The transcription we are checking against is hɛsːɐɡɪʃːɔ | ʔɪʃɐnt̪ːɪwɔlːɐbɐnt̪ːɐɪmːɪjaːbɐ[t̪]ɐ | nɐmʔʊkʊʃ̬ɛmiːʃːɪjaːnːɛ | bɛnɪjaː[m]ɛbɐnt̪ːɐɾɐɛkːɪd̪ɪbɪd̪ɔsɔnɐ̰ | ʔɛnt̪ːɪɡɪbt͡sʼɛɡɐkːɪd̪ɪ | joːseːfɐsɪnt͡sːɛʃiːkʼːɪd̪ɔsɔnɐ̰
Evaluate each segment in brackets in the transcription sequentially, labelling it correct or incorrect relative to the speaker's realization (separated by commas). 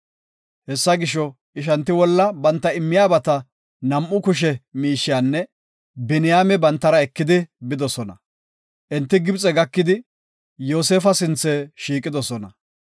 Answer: correct, correct